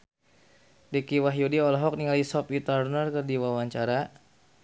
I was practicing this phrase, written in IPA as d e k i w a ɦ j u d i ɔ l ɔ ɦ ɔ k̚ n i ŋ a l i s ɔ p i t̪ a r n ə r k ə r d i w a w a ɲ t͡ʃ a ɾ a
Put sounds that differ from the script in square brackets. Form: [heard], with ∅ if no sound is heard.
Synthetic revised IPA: d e k i w a ɦ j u d i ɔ l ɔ ɦ ɔ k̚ n i ŋ a l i s ɔ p i t̪ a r n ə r k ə r d i w a w a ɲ t͡ʃ a ɾ a